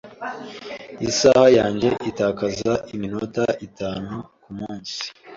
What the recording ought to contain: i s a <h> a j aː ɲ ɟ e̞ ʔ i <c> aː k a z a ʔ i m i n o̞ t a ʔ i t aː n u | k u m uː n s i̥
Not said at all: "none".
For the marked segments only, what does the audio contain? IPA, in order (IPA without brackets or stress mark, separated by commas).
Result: h, t